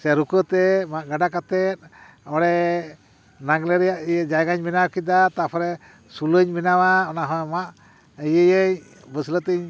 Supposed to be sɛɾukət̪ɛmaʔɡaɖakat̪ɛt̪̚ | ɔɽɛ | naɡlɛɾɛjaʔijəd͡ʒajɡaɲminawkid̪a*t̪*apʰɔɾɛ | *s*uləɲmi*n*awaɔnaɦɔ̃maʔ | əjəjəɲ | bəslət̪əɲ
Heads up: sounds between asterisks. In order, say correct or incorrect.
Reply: correct, correct, correct

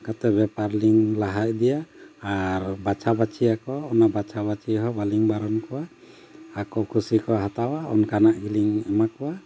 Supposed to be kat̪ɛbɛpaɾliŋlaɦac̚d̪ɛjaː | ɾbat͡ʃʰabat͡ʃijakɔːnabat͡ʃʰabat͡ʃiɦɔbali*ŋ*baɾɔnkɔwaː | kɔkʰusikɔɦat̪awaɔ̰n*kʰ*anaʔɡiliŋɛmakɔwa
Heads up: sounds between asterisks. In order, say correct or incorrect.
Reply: correct, incorrect

